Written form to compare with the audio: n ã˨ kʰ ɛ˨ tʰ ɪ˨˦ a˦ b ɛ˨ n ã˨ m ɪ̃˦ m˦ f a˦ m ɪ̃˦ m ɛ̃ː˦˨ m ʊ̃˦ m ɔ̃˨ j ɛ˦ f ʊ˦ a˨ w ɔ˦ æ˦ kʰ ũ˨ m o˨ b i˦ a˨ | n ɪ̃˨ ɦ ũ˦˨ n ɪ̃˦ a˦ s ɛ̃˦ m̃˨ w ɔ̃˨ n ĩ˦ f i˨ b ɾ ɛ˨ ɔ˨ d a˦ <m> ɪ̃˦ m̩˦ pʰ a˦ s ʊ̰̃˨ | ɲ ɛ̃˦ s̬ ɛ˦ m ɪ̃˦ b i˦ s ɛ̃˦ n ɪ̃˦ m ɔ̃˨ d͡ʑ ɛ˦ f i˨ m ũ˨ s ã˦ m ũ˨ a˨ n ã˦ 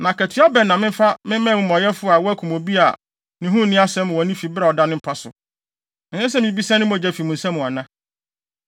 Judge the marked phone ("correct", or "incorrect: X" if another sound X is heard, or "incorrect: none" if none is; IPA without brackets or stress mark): incorrect: n